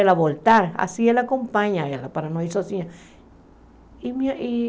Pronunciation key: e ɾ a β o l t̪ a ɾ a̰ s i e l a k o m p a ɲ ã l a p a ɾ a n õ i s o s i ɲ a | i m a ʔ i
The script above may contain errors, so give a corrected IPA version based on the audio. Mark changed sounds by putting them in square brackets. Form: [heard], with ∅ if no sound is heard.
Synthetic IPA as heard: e [l] a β o l t̪ a ɾ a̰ s i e l a k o m p a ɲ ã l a p a ɾ a n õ i s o s i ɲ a | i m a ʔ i